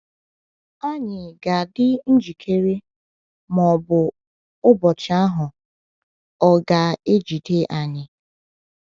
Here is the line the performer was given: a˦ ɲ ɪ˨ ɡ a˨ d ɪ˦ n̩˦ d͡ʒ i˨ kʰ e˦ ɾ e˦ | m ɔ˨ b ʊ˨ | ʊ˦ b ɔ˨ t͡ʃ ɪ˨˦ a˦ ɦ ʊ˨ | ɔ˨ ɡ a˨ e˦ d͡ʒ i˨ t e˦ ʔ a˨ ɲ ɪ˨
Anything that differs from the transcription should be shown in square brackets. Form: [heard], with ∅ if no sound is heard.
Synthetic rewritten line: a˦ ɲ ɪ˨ ɡ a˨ d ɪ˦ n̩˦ d͡ʒ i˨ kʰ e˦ ɾ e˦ | m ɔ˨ b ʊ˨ | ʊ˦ b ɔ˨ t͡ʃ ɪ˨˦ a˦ ɦ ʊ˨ | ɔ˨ ɡ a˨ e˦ d͡ʒ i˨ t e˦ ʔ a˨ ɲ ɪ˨